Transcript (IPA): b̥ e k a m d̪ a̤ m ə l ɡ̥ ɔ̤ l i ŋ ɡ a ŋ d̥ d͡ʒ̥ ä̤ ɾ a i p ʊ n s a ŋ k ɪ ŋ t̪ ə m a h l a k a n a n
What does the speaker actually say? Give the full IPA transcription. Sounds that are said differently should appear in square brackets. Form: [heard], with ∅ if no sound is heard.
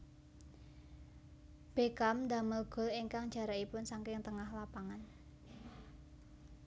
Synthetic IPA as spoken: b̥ e k a m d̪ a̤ m ə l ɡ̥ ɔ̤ l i ŋ [k] a ŋ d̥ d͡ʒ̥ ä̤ ɾ a i p ʊ n s a ŋ k ɪ ŋ t̪ ə [ŋ] a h l a [p] a [ŋ] a n